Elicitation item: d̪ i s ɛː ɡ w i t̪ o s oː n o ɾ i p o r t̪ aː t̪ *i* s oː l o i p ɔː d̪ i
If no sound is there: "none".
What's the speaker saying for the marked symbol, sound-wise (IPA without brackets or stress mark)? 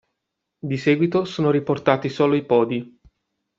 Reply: i